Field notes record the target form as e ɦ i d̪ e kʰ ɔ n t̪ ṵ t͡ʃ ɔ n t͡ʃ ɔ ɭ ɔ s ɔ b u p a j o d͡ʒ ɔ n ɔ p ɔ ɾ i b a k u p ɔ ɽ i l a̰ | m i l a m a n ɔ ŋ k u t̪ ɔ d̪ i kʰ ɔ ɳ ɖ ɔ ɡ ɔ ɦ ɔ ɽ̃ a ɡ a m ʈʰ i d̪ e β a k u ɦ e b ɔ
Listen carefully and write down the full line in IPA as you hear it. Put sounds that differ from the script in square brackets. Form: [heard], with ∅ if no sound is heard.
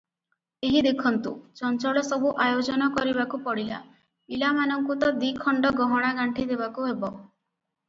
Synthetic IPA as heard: e ɦ i d̪ e kʰ ɔ n t̪ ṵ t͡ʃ ɔ n t͡ʃ ɔ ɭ ɔ s ɔ b u [ʔ] a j o d͡ʒ ɔ n ɔ [k] ɔ ɾ i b a k u p ɔ ɽ i l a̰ | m i l a m a n ɔ ŋ k u t̪ ɔ d̪ i kʰ ɔ ɳ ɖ ɔ ɡ ɔ ɦ ɔ ɽ̃ a ɡ a [ɳ] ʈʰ i d̪ e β a k u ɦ e b ɔ

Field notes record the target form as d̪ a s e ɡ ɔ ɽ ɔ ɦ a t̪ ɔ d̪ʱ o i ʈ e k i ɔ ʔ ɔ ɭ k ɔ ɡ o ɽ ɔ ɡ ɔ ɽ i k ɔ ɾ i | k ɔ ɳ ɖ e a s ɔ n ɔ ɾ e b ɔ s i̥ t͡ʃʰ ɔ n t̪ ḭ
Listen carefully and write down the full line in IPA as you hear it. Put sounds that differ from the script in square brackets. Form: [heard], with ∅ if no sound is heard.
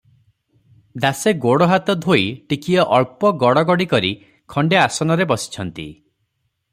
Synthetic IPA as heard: d̪ a s e ɡ [o] ɽ ɔ ɦ a t̪ ɔ d̪ʱ o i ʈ [i] k i ɔ ʔ ɔ ɭ [p] ɔ ɡ [ɔ] ɽ ɔ ɡ ɔ ɽ i k ɔ ɾ i | [kʰ] ɔ ɳ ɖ e a s ɔ n ɔ ɾ e b ɔ s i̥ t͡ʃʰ ɔ n t̪ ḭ

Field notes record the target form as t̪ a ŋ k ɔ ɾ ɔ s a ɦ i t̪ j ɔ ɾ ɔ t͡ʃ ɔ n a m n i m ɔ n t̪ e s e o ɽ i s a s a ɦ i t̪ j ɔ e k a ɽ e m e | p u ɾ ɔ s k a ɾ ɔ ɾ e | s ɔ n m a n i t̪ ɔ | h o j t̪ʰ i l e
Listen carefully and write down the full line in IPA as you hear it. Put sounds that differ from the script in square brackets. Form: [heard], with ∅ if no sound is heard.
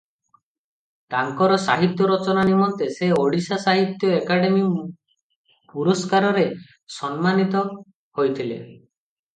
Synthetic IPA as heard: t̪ a ŋ k ɔ ɾ ɔ s a ɦ i t̪ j ɔ ɾ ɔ t͡ʃ ɔ n a [∅] n i m ɔ n t̪ e s e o ɽ i s a s a ɦ i t̪ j ɔ e k a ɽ e m [i] | p u ɾ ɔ s k a ɾ ɔ ɾ e | s ɔ n m a n i t̪ ɔ | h o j t̪ʰ i l e

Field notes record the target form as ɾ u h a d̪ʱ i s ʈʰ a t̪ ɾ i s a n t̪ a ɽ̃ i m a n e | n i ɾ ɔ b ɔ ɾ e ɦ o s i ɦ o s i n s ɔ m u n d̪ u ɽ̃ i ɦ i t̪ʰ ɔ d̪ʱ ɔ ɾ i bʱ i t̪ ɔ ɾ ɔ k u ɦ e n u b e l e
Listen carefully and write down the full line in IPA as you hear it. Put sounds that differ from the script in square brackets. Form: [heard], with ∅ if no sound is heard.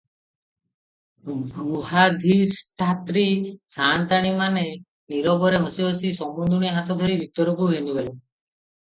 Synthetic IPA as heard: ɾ u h a d̪ʱ i s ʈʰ a t̪ ɾ i s a n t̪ a ɽ̃ i m a n e | n i ɾ ɔ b ɔ ɾ e ɦ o s i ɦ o s i [∅] s ɔ m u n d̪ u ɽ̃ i ɦ [a] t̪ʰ ɔ d̪ʱ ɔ ɾ i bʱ i t̪ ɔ ɾ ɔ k u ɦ e n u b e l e

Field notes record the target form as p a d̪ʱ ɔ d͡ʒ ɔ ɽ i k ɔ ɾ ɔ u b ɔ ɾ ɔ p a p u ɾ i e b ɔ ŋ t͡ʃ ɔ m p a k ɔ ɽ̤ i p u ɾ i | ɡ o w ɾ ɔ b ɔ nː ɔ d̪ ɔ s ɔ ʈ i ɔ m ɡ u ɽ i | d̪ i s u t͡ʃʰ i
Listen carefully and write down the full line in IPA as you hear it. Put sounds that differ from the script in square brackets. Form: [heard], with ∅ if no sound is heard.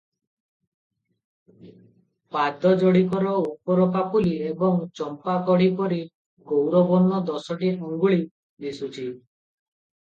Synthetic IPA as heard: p a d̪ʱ ɔ d͡ʒ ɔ ɽ i k ɔ ɾ ɔ u [p] ɔ ɾ ɔ p a p u [l] i e b ɔ ŋ t͡ʃ ɔ m p a k ɔ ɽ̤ i p [ɔ] ɾ i | ɡ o w ɾ ɔ b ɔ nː ɔ d̪ ɔ s ɔ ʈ i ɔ [ŋ] ɡ u [ɭ] i | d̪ i s u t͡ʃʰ i

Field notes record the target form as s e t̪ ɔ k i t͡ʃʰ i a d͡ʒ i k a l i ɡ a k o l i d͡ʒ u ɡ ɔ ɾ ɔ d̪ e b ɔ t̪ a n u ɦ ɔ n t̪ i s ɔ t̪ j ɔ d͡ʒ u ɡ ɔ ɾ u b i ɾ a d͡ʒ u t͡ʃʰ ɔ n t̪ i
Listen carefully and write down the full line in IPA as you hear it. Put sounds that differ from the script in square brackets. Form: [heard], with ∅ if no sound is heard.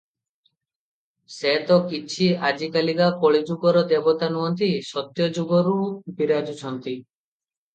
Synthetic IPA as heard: s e t̪ ɔ k i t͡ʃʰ i a d͡ʒ i k a l i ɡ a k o [ɭ] i d͡ʒ u ɡ ɔ ɾ ɔ d̪ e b ɔ t̪ a n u ɦ ɔ n t̪ i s ɔ t̪ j ɔ d͡ʒ u ɡ ɔ ɾ u b i ɾ a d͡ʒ u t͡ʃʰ ɔ n t̪ i

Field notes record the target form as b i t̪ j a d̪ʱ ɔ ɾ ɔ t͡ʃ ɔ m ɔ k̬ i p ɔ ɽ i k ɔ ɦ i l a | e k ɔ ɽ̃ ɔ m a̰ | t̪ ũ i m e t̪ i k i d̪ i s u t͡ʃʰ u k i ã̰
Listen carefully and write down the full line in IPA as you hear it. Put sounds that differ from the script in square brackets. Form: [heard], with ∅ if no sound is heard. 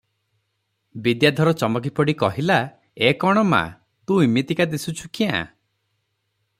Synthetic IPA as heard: b i [d̪] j a d̪ʱ ɔ ɾ ɔ t͡ʃ ɔ m ɔ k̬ i p ɔ ɽ i k ɔ ɦ i l a | e k ɔ ɽ̃ ɔ m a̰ | t̪ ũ i m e t̪ i k [a] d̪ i s u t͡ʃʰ u k i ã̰

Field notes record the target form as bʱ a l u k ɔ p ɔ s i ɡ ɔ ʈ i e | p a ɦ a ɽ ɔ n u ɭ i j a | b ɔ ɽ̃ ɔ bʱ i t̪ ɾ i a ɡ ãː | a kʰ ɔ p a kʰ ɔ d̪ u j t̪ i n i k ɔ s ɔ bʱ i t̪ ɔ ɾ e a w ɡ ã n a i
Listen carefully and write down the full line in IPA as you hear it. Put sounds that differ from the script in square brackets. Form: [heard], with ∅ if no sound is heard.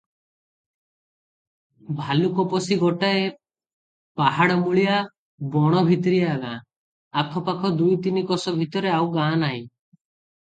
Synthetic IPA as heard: bʱ a l u k ɔ p ɔ s i ɡ ɔ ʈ [a] e | p a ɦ a ɽ ɔ [m] u ɭ i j a | b ɔ ɽ̃ ɔ bʱ i t̪ ɾ i a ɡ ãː | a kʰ ɔ p a kʰ ɔ d̪ u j t̪ i n i k ɔ s ɔ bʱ i t̪ ɔ ɾ e a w ɡ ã n a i

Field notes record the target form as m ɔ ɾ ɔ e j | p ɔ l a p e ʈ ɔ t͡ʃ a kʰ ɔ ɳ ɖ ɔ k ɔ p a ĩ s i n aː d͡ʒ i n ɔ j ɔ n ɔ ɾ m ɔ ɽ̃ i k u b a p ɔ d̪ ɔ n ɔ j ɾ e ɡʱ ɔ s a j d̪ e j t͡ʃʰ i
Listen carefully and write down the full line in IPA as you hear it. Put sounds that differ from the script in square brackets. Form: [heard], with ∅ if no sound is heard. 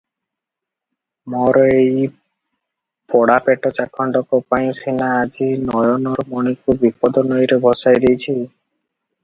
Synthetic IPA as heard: m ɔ ɾ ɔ e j | p ɔ [ɽ] a p e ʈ ɔ t͡ʃ a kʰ ɔ ɳ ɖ ɔ k ɔ p a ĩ s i n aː d͡ʒ i n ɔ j ɔ n ɔ ɾ m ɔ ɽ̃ i k u b [i] p ɔ d̪ ɔ n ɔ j ɾ e [bʱ] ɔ s a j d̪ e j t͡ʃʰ i

